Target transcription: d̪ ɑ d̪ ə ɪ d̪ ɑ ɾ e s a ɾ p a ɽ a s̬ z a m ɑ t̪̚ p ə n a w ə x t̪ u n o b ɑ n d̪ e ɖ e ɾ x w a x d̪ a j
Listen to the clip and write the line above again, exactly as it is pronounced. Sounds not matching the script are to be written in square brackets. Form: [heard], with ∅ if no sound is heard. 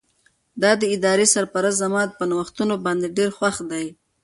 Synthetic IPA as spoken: d̪ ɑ d̪ ə ɪ d̪ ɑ ɾ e s a ɾ p a [ɾ] a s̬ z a m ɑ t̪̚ p ə n a w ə x t̪ u n o b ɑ n d̪ e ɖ e ɾ x w a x d̪ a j